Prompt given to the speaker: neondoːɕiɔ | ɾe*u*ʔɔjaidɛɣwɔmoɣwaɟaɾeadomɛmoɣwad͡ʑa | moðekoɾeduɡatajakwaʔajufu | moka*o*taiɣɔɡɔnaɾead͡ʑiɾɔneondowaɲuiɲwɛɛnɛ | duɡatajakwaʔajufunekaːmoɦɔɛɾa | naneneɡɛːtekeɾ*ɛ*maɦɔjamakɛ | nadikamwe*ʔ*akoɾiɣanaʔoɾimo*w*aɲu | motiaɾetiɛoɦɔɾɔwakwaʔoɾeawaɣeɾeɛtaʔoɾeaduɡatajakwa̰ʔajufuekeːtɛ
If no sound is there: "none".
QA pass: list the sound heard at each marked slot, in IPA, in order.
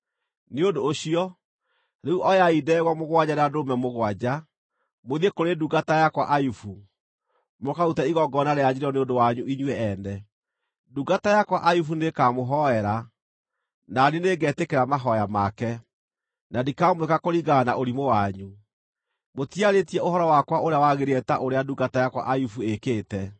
u, u, a, k, w

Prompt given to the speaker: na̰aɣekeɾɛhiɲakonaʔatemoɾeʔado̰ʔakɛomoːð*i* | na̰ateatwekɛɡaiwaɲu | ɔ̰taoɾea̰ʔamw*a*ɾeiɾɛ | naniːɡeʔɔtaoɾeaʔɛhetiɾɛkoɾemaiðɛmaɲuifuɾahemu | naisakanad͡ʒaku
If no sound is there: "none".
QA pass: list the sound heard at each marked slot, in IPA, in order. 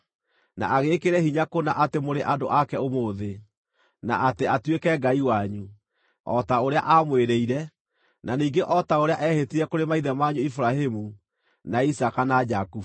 e, e

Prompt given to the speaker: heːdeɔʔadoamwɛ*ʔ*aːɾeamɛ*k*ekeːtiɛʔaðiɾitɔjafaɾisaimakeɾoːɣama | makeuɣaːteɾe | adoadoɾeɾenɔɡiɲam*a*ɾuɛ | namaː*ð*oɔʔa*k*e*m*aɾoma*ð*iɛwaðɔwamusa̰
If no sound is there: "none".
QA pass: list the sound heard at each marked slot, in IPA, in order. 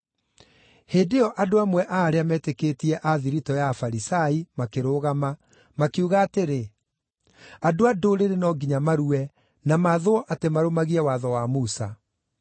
ʔ, t, a, ð, t, m, ɣ

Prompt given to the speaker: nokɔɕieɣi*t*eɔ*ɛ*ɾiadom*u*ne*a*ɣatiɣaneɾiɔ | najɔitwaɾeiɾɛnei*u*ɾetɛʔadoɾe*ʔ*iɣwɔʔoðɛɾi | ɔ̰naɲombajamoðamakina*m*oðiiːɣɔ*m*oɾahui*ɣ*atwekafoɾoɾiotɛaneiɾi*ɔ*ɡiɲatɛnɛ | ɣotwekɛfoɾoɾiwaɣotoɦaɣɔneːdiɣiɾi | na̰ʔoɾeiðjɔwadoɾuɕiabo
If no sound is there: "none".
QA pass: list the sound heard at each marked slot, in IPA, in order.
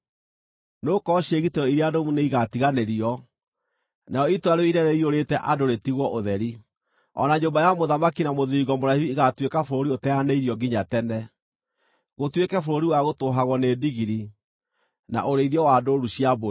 t, i, u, i, o, t, m, m, ɣ, ɔ

